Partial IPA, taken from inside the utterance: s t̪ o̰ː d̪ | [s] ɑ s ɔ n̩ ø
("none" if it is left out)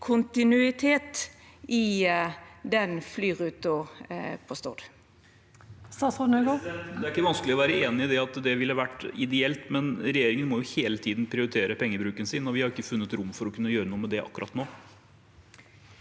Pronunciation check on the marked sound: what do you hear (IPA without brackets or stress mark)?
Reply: s